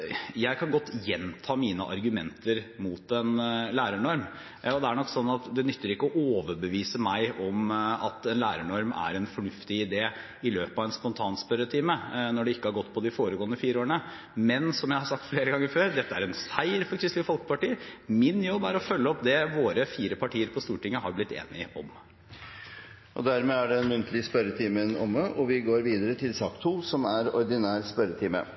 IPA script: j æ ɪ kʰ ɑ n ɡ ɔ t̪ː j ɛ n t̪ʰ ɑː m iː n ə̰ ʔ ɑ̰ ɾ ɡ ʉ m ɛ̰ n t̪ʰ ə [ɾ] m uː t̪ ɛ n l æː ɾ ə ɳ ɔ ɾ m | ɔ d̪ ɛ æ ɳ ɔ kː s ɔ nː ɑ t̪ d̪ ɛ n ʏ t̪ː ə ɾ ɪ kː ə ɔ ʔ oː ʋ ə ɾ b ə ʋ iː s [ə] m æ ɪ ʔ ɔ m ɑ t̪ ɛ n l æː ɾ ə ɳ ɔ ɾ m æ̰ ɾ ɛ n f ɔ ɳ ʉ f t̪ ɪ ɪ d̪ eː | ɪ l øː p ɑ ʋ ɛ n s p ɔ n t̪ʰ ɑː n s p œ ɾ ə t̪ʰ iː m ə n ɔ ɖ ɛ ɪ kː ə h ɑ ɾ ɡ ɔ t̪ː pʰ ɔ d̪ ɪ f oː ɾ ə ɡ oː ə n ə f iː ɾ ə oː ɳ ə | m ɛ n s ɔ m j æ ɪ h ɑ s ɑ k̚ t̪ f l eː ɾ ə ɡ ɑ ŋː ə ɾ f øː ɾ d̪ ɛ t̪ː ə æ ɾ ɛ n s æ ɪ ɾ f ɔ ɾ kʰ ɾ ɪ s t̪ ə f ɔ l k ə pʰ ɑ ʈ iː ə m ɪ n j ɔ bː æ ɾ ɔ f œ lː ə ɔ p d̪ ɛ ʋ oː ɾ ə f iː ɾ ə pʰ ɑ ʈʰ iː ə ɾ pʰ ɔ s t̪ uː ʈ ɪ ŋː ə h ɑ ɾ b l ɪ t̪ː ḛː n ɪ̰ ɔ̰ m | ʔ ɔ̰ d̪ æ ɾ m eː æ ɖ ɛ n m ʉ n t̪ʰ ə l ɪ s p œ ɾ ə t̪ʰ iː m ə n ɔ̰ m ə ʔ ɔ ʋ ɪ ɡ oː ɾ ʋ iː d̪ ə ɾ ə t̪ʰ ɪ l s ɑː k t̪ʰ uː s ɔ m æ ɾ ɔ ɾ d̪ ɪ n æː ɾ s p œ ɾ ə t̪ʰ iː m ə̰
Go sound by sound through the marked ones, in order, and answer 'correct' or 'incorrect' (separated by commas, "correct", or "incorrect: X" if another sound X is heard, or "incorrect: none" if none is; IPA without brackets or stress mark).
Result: correct, correct